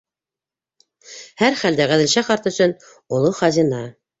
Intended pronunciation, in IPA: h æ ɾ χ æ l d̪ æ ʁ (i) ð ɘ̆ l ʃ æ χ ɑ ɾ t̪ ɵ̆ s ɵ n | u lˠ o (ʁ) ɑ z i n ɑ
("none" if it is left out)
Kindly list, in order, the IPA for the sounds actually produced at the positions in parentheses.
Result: æ, χ

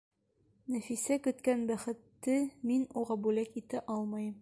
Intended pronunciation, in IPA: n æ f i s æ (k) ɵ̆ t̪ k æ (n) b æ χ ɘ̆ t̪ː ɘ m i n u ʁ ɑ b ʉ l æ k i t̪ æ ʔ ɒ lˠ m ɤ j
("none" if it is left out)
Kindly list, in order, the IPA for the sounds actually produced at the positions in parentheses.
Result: k, n

